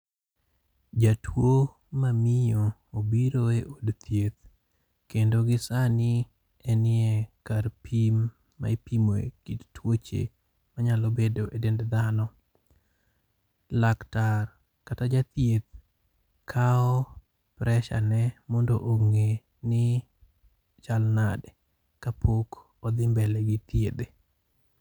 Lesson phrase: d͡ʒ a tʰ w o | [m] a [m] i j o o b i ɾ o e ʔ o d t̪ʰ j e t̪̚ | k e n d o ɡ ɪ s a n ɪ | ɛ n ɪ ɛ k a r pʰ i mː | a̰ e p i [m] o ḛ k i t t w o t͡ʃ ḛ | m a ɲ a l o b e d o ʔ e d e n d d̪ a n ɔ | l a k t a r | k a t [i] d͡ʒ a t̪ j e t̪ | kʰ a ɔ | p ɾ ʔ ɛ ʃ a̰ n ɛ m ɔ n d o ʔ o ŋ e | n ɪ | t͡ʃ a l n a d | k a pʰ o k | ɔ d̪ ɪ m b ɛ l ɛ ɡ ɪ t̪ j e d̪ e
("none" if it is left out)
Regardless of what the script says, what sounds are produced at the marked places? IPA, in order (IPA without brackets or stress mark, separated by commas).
m, m, m, a